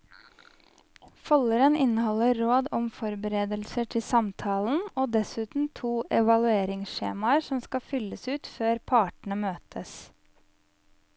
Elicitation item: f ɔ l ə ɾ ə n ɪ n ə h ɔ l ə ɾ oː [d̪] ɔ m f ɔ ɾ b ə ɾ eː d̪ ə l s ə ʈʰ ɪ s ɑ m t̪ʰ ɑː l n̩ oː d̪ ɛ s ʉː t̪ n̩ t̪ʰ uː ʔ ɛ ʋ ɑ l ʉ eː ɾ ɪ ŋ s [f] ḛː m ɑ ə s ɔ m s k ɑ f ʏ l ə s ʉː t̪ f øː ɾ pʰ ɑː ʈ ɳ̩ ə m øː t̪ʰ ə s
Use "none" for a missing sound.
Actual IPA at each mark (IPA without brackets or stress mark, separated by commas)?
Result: d̪, ʃ